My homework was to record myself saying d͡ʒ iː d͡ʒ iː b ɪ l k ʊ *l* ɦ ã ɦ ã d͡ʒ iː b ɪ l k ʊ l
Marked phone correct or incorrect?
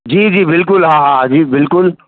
correct